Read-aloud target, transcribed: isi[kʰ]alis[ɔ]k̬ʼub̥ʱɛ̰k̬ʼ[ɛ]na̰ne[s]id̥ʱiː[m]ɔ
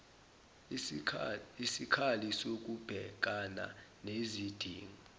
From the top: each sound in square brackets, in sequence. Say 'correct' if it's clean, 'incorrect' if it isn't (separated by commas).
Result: correct, incorrect, incorrect, incorrect, incorrect